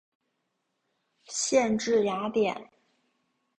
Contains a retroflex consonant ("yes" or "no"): yes